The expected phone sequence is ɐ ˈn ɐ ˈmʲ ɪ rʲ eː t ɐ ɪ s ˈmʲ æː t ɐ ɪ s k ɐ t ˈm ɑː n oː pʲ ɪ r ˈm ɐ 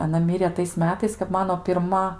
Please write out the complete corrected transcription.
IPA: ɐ ˈn ɐ ˈmʲ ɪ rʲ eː t ɐ ɪ s ˈmʲ æː t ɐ ɪ s k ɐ p ˈm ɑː n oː pʲ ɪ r ˈm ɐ